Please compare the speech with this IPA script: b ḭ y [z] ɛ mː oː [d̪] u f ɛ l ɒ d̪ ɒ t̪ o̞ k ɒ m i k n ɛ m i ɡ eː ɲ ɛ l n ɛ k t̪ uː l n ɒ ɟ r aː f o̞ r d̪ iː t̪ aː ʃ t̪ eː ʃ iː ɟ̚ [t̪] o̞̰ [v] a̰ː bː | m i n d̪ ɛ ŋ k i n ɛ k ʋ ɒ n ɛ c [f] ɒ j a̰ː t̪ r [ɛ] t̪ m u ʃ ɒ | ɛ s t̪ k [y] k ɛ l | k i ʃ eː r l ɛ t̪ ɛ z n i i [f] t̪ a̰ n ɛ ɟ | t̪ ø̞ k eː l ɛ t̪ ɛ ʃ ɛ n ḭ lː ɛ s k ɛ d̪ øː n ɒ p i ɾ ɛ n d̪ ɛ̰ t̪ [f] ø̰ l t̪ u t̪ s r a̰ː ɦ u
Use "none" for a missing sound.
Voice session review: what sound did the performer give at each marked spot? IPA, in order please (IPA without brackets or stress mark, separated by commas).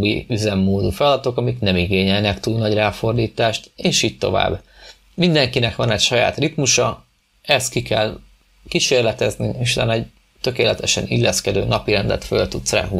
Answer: z, d̪, t̪, v, ʃ, i, i, ʃ, f